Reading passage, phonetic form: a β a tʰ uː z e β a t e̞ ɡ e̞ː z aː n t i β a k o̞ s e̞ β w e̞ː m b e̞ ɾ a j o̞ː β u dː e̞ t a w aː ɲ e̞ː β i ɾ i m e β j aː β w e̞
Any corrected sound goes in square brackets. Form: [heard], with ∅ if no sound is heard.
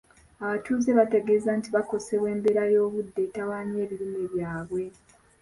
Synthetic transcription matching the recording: a β a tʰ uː z e β a t e̞ ɡ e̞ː z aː n t i β a k o̞ s e̞ β w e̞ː m b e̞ ɾ a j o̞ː β u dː e̞ t a w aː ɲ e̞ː β i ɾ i m e β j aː β w e̞